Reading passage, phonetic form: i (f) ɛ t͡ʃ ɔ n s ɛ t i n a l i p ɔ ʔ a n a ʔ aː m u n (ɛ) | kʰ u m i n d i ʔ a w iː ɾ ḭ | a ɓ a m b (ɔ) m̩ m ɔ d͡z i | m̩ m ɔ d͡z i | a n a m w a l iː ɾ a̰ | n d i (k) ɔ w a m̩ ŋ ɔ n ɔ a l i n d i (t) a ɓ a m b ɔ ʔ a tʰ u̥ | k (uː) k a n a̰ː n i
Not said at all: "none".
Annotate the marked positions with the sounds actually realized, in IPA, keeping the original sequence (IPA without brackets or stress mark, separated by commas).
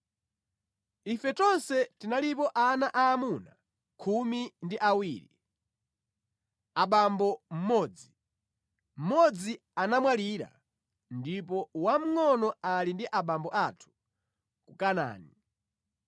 f, a, ɔ, p, ʔ, u